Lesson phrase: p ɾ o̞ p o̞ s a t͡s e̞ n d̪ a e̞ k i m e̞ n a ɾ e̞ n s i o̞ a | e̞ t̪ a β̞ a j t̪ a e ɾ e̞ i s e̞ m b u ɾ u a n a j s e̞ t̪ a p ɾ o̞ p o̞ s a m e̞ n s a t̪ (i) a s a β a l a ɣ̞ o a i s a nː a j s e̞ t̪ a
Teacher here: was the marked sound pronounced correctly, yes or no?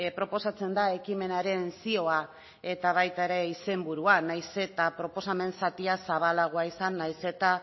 yes